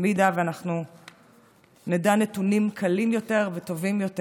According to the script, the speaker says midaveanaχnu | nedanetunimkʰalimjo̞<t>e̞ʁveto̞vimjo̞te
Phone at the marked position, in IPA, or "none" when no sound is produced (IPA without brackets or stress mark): t